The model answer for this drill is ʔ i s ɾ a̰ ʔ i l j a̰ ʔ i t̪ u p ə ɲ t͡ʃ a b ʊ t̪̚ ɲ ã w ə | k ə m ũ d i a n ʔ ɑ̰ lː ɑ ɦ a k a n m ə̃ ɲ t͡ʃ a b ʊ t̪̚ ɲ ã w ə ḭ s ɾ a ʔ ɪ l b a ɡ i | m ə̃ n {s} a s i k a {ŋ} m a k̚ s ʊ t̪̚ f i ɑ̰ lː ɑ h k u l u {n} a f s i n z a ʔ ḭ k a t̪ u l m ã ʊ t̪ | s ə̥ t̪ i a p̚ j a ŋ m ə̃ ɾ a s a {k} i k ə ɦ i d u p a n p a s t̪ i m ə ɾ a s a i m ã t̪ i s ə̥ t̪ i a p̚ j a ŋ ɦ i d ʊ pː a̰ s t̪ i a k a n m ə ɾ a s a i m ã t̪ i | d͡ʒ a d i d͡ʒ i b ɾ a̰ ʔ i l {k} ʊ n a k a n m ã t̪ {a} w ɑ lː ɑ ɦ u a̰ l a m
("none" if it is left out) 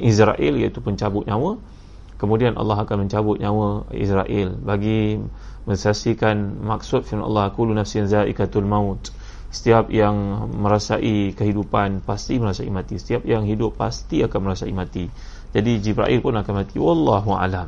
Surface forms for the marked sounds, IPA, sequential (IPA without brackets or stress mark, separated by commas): s, n, n, ʔ, p, i